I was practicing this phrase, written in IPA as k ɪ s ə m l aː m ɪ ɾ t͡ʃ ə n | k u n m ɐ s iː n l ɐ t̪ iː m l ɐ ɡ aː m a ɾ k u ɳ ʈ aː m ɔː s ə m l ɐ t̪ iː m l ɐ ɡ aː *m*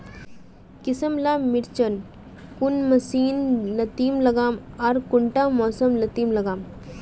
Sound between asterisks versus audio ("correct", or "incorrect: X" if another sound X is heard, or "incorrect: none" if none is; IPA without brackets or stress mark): correct